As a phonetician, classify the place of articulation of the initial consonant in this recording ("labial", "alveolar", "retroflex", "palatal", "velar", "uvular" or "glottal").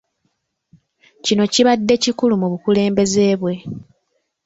palatal